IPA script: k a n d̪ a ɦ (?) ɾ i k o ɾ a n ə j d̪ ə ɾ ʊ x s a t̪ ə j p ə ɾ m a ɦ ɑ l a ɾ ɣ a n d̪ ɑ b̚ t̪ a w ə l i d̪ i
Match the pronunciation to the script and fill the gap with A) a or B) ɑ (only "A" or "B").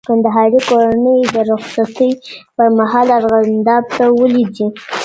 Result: B